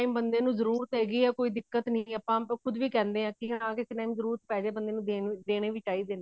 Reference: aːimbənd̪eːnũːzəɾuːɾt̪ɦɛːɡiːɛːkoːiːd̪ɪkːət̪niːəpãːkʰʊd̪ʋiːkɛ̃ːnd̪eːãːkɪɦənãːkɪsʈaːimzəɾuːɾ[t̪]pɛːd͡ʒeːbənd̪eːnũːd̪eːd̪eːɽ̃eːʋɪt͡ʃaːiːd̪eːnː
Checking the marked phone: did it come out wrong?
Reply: no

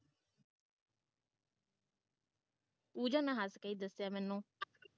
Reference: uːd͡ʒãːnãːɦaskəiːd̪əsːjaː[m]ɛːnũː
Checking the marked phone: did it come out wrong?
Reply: no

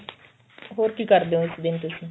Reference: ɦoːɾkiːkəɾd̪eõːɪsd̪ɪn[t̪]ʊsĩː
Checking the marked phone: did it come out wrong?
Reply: no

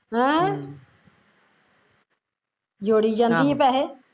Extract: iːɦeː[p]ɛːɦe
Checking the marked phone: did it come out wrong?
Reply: no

